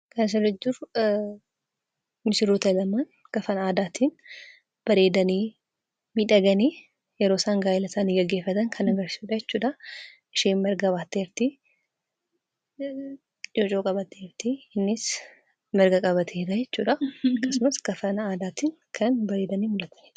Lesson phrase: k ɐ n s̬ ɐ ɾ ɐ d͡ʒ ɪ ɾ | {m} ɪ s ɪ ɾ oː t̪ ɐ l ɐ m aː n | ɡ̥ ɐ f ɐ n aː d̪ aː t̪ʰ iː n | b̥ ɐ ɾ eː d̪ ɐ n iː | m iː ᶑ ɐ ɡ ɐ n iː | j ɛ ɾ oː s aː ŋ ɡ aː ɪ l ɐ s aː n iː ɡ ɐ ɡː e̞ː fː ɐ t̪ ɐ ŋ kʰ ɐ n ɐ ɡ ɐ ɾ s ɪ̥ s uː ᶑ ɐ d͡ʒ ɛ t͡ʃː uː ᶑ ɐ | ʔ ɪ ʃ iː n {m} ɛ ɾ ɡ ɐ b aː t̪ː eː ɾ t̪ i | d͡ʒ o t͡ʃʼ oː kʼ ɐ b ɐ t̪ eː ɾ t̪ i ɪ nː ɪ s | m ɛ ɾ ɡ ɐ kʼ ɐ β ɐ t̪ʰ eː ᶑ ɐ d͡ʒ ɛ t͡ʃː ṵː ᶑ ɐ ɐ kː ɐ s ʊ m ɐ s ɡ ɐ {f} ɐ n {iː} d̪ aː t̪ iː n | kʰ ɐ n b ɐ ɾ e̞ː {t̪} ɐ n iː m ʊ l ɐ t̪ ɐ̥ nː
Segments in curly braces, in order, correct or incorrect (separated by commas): correct, correct, correct, incorrect, incorrect